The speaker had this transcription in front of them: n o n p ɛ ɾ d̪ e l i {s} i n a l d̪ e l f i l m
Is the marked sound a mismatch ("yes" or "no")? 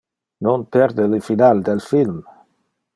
yes